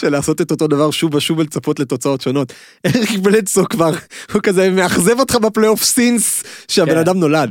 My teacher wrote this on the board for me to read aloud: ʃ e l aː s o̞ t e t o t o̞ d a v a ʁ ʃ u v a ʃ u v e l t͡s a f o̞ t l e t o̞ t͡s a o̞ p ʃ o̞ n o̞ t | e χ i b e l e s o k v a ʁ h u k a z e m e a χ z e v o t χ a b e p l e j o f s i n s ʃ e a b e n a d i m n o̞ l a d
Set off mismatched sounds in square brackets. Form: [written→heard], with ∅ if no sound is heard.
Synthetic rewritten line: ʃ e l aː s o̞ t e t o t o̞ d a v a ʁ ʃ u v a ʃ u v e l t͡s a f o̞ t l e t o̞ t͡s a o̞ [p→t] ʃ o̞ n o̞ t | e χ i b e l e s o k v a ʁ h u k a z e m e a χ z e v o t χ a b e p l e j o f s i n s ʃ e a b e n a d [i→a] m n o̞ l a d